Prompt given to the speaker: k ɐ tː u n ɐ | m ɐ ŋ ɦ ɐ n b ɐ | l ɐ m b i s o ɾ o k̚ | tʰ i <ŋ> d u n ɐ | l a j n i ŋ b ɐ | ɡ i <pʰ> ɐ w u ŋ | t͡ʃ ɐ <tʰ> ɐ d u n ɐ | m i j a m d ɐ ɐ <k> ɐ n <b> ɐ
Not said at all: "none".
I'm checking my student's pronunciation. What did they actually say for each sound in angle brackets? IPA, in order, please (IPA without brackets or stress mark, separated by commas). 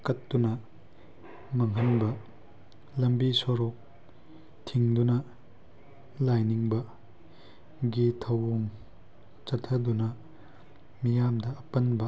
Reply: ŋ, tʰ, tʰ, p, b